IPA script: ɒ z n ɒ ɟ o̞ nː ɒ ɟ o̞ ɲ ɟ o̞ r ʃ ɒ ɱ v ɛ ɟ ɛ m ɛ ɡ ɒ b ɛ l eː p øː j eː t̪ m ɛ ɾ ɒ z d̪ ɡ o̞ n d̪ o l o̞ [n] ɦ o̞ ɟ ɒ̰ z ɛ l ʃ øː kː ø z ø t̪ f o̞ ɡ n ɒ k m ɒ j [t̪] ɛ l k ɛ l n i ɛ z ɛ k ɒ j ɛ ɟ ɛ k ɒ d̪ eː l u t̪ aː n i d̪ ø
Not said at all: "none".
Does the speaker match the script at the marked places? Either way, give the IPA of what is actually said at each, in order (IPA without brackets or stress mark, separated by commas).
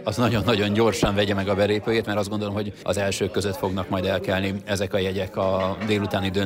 m, d̪